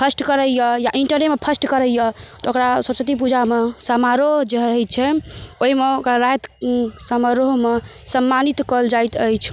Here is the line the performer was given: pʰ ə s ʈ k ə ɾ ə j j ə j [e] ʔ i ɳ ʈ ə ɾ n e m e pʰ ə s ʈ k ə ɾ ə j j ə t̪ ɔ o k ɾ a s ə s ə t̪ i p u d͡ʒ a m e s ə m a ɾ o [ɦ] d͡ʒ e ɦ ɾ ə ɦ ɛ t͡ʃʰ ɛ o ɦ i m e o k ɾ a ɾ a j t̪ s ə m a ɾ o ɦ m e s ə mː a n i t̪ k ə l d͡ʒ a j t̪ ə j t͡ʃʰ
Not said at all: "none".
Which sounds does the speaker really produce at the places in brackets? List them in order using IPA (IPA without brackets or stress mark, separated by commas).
a, ɦ